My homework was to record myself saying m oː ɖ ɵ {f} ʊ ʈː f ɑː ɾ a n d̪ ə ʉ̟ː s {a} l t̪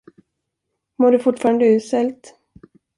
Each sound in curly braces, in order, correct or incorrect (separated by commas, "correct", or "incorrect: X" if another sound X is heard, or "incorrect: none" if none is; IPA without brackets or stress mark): correct, incorrect: ɛ